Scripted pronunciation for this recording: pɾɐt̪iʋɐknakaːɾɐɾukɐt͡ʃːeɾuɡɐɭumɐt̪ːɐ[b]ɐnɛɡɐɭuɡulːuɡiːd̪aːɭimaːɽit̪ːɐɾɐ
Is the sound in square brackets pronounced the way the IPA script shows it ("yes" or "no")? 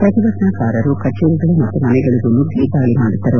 no